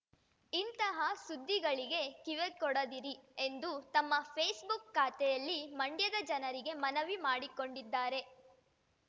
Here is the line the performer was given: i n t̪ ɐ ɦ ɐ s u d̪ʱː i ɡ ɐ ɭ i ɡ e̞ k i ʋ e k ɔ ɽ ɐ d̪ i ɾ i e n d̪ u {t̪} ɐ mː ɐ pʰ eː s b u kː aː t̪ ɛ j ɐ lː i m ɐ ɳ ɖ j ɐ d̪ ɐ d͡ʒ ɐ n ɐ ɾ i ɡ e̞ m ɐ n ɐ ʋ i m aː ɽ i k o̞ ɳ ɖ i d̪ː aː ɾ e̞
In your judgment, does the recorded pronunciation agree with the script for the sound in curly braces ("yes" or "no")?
yes